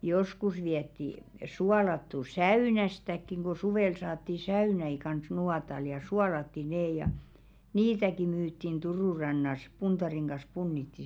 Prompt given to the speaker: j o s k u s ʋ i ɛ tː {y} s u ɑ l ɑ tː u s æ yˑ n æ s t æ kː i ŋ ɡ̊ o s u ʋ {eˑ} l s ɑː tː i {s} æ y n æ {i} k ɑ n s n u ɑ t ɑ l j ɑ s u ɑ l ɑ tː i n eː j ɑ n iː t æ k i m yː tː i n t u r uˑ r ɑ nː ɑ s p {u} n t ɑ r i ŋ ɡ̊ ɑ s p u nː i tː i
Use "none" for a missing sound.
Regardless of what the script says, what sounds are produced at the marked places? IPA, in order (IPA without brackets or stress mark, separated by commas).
i, eˑ, s, i, u